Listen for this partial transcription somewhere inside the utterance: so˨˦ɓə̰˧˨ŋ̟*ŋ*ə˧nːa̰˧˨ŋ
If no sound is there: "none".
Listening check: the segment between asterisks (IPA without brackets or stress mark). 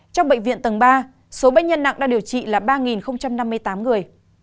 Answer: ɲ